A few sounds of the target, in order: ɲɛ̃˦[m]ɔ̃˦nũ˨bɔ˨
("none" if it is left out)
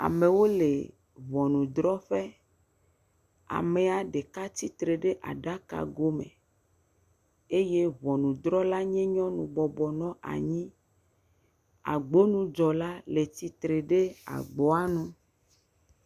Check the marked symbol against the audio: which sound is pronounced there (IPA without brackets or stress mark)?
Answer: ɲ